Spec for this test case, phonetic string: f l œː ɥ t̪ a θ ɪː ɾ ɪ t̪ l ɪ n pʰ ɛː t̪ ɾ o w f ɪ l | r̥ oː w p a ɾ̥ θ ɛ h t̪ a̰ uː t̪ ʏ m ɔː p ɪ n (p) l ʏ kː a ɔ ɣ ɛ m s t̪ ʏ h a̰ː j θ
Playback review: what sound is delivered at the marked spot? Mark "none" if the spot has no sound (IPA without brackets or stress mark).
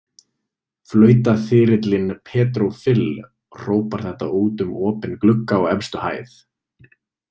k